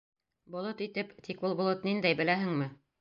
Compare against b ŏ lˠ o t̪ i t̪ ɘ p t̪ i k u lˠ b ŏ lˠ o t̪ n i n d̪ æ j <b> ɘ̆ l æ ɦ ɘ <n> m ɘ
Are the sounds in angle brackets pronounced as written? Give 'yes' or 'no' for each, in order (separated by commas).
yes, no